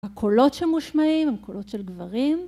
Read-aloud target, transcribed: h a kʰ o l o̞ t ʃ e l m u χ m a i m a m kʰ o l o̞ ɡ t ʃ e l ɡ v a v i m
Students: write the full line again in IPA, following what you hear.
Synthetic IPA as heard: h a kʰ o l o̞ t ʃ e l m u ʃ m a i m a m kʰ o l o̞ t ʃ e l ɡ v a ʁ i m